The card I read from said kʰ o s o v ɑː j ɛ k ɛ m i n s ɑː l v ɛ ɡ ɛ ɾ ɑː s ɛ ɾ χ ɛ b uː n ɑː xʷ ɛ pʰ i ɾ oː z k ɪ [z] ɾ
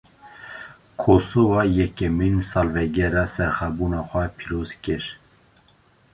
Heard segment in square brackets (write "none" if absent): none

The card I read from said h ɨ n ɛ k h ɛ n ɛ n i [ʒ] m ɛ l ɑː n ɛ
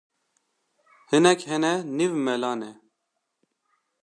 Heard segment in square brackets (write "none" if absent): v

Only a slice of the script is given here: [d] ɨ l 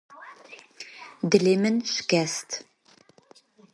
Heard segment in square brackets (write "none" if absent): d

